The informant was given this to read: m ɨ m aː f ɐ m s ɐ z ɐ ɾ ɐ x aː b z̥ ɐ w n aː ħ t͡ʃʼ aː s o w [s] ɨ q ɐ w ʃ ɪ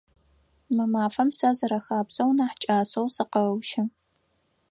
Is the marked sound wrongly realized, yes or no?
no